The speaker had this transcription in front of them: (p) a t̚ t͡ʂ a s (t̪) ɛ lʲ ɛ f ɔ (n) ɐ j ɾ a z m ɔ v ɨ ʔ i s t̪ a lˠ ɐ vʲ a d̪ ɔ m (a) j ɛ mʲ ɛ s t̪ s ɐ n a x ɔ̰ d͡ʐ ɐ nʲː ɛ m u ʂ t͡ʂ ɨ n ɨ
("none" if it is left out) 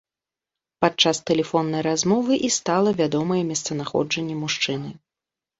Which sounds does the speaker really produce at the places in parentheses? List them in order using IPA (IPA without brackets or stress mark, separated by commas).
p, t̪, nː, ɐ